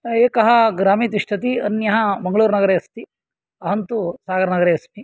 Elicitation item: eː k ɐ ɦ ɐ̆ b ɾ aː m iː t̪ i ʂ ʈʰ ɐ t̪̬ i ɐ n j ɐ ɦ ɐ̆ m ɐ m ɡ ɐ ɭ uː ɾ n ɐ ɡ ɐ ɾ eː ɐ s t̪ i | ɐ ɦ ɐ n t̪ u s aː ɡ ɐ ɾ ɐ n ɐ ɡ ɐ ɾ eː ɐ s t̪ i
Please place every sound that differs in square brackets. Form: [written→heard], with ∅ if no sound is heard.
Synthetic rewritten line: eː k ɐ ɦ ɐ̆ [b→ɡ] ɾ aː m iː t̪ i ʂ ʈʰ ɐ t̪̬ i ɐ n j ɐ ɦ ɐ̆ m ɐ [m→ŋ] ɡ ɐ ɭ uː ɾ n ɐ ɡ ɐ ɾ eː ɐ s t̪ i | ɐ ɦ ɐ n t̪ u s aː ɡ ɐ ɾ ɐ n ɐ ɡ ɐ ɾ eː ɐ s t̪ i